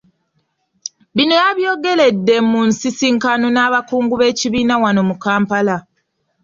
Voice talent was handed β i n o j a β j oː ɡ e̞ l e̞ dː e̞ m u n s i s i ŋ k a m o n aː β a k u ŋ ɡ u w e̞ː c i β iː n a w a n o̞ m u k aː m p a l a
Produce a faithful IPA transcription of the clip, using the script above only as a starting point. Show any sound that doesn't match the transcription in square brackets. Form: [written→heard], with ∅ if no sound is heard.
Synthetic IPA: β i n o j a β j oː ɡ e̞ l e̞ dː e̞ m u n s i s i ŋ k a [m→n] o n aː β a k [u→uː] ŋ ɡ u [w→β] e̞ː c i β iː n a w a n o̞ m u k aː m p a l a